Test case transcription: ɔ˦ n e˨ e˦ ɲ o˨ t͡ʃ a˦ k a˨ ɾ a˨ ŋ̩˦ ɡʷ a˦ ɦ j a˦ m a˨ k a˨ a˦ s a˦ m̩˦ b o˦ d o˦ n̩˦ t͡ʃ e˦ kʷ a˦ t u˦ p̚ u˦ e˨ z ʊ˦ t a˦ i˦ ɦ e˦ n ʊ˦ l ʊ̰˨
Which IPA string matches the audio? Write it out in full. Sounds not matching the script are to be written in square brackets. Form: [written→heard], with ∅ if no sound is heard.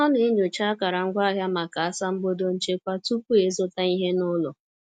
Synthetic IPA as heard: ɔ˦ n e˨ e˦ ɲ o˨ t͡ʃ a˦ k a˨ ɾ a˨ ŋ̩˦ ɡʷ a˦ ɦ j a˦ m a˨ k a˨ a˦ s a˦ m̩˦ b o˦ d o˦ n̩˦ t͡ʃ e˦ kʷ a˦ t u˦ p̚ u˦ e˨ z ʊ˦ t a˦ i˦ ɦ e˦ n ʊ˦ l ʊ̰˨

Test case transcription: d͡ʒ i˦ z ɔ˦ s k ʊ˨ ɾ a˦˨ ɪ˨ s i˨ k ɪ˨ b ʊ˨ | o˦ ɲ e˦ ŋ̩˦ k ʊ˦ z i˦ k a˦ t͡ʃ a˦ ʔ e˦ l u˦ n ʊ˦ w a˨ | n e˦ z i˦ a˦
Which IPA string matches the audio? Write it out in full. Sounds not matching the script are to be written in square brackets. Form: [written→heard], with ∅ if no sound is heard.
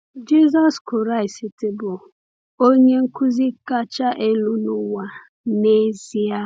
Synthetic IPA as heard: d͡ʒ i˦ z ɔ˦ s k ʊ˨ ɾ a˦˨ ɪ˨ s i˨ [k→t] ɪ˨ b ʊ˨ | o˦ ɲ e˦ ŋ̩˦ k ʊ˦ z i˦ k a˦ t͡ʃ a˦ ʔ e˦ l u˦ n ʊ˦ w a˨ | n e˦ z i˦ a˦

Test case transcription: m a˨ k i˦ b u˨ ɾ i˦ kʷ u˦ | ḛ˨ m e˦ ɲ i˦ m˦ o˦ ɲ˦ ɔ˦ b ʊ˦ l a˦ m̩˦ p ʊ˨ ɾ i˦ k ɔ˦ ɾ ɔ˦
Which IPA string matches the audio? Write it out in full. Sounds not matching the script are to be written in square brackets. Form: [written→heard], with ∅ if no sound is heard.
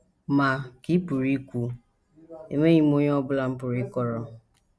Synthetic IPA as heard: m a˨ k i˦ [b→p] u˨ ɾ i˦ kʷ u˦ | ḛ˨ m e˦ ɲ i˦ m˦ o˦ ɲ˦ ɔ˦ b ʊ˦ l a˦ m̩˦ p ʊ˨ ɾ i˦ k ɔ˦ ɾ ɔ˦

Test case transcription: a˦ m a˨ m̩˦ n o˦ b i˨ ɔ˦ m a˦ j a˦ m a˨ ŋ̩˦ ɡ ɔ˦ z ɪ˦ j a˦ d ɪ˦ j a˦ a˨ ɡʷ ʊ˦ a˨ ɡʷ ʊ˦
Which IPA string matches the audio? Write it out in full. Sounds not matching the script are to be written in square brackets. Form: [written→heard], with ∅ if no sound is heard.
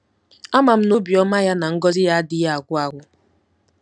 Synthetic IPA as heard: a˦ m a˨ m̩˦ n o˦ b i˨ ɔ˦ m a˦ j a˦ [m→n] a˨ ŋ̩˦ ɡ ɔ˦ z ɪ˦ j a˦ d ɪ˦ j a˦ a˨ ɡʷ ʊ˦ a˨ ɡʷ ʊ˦

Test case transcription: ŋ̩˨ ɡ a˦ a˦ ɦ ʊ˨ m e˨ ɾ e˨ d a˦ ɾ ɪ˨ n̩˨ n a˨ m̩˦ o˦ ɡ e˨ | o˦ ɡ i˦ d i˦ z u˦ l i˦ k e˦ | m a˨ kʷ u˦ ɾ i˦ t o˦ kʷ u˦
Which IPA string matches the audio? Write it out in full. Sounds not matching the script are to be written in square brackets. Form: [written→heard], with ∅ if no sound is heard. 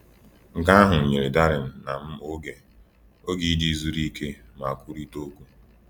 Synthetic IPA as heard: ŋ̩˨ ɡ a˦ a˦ ɦ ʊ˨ [m→ɲ] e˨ ɾ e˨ d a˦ ɾ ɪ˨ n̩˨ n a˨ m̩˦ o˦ ɡ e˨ | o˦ ɡ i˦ d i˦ z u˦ [l→ɾ] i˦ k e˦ | m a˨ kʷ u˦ ɾ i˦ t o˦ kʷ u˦

